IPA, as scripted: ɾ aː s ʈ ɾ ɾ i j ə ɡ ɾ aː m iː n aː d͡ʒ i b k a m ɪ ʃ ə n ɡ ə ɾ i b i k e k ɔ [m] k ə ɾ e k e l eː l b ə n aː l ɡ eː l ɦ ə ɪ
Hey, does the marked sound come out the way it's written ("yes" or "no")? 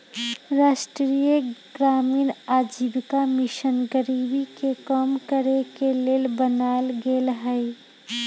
yes